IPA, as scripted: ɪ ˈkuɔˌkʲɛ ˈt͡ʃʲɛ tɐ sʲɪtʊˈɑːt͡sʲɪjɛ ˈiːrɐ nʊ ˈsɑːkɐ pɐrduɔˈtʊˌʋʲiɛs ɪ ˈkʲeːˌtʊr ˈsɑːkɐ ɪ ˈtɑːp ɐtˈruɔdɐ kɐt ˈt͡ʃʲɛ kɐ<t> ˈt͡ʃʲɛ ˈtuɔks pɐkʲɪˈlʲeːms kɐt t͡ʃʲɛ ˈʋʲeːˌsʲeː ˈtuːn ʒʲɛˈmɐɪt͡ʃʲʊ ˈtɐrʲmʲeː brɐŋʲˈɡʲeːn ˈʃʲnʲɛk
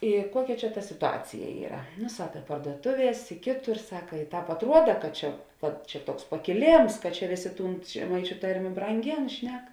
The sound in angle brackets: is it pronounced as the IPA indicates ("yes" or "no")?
yes